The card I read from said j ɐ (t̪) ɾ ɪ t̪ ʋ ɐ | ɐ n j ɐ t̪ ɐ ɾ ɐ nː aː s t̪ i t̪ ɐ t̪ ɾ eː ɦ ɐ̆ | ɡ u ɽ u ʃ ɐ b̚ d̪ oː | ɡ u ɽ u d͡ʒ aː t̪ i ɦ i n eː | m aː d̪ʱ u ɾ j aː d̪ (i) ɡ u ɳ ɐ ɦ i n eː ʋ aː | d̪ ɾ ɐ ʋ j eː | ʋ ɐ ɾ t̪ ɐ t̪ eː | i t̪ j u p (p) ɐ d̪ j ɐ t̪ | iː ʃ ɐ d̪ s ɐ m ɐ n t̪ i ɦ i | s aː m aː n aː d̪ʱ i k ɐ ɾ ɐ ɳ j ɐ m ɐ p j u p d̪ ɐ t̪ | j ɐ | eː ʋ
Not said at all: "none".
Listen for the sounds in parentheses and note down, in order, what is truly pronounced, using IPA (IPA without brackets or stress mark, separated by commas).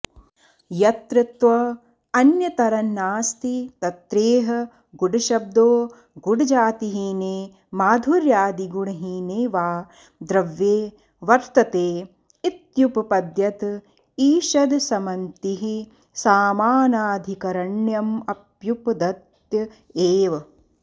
t̪, i, p